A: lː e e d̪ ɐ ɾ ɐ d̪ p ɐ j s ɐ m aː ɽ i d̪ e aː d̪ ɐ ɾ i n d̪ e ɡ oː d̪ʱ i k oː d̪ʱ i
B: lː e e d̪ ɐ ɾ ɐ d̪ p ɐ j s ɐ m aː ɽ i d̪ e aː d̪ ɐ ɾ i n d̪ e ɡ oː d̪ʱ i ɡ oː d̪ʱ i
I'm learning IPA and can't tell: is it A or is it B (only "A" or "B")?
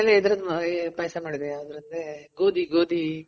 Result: B